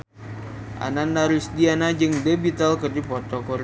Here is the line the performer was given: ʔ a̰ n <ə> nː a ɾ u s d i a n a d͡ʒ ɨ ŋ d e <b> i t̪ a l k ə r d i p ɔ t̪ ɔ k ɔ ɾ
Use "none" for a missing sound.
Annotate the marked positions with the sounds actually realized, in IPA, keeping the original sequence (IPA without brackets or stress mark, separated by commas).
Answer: a, b